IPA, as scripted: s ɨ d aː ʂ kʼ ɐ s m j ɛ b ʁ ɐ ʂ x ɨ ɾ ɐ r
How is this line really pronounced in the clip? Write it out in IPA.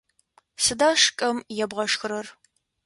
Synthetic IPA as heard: s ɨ d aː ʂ kʼ ɐ m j ɛ b ʁ ɐ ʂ x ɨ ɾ ɐ r